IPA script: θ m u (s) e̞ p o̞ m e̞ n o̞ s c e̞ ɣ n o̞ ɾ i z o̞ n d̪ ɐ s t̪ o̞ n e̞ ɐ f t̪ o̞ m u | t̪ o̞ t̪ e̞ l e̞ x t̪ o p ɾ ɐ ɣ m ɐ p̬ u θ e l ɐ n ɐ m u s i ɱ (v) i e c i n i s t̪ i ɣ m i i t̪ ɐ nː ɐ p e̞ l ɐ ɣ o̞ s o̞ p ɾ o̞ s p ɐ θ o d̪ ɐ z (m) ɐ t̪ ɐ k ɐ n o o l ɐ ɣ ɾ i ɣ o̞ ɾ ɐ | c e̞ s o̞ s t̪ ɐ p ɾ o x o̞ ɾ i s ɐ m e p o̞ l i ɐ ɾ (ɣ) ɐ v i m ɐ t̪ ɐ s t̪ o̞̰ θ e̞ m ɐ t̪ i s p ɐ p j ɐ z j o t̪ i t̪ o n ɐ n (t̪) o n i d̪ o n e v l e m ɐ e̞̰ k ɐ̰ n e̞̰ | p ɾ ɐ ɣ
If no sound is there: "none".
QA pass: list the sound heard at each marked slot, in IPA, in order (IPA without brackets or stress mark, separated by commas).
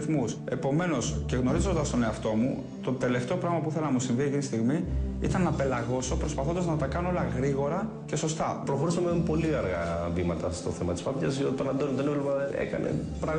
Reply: s, v, n, ɣ, d̪